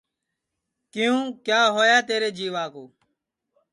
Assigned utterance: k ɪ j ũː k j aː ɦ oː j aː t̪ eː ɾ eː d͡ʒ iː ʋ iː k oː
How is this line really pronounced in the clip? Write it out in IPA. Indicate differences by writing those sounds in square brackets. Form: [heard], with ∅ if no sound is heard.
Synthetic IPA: k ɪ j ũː k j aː ɦ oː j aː t̪ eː ɾ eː d͡ʒ iː ʋ [aː] k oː